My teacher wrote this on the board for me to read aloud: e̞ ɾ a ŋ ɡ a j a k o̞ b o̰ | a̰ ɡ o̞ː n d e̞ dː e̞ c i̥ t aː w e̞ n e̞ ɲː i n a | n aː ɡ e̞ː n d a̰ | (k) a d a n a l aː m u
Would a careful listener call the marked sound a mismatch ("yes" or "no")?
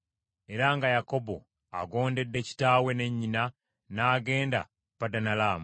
yes